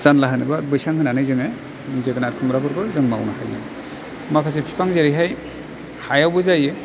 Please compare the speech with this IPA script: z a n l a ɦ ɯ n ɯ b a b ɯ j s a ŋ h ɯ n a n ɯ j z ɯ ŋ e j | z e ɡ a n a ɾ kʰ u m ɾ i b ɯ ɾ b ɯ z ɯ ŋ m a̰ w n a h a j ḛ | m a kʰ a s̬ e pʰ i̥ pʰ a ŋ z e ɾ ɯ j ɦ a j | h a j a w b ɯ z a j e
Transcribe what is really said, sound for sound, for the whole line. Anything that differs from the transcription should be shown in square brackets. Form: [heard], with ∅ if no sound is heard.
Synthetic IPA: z a n l a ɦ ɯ n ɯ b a b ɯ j s a ŋ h ɯ n a n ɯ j z ɯ ŋ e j | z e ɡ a n a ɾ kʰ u m ɾ [a] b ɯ ɾ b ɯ z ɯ ŋ m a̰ w n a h a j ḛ | m a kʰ a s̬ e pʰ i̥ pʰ a ŋ z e ɾ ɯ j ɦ a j | h a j a w b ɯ z a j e